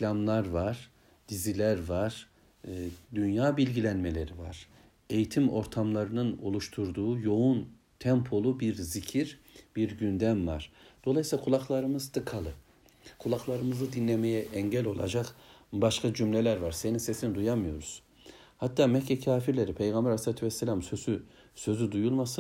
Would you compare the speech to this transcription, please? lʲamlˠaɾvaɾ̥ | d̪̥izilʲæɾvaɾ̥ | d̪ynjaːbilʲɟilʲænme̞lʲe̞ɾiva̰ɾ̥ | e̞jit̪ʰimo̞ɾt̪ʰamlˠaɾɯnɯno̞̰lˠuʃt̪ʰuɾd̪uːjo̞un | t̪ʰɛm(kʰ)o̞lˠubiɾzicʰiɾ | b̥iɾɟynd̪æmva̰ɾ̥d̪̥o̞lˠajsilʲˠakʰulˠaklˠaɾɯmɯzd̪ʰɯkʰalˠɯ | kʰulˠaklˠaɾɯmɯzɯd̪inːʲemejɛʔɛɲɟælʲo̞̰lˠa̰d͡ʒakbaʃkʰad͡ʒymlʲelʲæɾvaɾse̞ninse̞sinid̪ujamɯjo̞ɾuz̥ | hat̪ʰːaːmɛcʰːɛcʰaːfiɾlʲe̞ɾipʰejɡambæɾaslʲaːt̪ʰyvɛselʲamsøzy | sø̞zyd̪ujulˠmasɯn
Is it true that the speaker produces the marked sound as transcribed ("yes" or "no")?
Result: no